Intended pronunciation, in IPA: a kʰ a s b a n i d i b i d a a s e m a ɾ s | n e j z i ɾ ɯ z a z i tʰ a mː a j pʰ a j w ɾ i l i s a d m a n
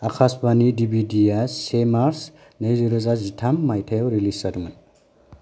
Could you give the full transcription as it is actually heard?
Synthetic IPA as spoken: a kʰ a s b a n i d i b i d i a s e m a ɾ s | n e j z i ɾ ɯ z a z i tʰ a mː a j tʰ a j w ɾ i l i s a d m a n